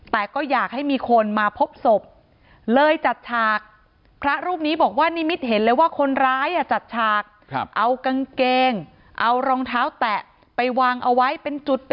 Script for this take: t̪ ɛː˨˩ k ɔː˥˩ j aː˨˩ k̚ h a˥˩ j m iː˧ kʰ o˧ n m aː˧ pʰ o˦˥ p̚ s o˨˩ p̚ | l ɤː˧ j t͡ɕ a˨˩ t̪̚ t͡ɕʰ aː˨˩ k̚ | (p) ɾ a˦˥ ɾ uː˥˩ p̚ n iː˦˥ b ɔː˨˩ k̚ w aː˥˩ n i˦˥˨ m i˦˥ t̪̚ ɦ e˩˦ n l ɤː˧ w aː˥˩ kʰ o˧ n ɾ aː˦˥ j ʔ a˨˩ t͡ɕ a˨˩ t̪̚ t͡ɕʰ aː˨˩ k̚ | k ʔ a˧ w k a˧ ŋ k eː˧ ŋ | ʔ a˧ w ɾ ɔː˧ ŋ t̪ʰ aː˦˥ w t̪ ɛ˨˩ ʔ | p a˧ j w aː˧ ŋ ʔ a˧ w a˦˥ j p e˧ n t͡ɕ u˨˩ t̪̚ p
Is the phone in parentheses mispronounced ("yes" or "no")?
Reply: yes